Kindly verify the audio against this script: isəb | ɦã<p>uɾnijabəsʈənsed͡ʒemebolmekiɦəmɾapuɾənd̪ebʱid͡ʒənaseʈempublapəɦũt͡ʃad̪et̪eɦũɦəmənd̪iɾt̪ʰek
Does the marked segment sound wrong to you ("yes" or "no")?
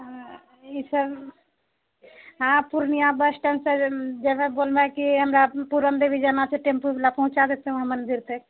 no